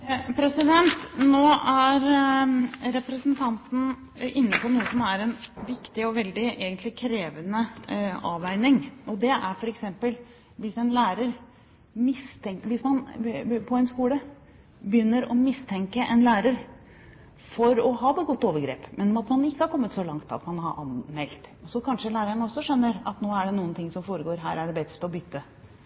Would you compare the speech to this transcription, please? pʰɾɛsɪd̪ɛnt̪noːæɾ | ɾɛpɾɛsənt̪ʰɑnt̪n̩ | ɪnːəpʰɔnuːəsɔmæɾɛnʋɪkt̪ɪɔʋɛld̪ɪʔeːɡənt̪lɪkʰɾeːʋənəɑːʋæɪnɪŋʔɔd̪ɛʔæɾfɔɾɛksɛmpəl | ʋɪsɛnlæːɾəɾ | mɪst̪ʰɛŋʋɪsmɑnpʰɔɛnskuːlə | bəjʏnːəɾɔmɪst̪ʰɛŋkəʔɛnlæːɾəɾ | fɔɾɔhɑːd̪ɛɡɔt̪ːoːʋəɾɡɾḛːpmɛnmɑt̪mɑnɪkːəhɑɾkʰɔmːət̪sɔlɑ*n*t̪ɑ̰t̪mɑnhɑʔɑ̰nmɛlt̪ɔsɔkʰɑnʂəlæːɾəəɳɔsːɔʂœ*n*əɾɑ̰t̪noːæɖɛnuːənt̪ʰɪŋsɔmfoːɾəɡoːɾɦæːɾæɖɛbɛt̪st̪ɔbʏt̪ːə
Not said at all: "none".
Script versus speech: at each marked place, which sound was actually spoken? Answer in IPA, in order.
ŋ, nː

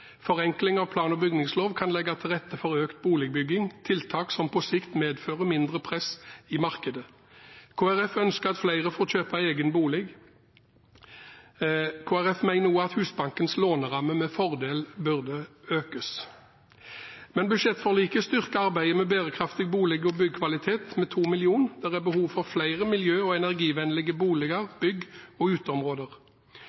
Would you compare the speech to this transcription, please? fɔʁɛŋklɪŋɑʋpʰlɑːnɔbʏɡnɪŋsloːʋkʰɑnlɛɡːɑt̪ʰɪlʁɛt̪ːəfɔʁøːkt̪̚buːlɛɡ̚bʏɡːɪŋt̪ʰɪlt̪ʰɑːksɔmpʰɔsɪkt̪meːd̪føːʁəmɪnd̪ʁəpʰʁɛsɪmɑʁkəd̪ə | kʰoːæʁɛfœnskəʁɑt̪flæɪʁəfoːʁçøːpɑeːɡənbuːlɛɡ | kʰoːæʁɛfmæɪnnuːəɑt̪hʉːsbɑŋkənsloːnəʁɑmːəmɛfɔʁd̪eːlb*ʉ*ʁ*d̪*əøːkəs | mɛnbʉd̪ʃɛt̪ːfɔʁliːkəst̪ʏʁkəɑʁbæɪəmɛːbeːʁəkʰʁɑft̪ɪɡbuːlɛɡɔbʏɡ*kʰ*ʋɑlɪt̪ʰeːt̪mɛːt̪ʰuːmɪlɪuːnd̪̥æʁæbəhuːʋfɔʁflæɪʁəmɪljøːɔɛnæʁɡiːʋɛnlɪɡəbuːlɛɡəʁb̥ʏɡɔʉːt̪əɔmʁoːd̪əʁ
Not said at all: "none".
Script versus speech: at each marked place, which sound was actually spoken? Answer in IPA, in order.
ʉ, d̪, kʰ

